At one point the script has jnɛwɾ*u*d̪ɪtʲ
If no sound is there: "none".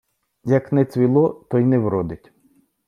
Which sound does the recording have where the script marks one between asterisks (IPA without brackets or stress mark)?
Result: ɔ